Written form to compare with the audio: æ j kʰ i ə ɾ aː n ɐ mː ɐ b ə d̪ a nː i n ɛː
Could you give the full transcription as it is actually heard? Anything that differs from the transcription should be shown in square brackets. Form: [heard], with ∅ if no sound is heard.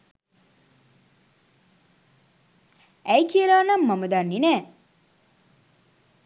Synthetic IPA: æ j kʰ i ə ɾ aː n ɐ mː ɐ [m] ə d̪ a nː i n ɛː